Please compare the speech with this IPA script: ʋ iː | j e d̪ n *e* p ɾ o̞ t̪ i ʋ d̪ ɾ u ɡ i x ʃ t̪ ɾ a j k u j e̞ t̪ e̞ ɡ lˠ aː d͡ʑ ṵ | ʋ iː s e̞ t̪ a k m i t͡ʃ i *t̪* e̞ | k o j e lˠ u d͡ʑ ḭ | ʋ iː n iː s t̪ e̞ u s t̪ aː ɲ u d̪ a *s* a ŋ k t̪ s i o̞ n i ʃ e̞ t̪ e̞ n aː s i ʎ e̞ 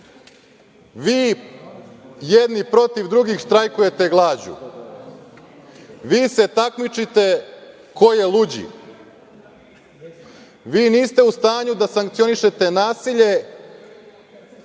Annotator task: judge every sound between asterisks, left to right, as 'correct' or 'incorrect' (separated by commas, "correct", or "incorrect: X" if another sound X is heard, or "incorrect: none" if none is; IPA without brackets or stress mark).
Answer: incorrect: i, correct, correct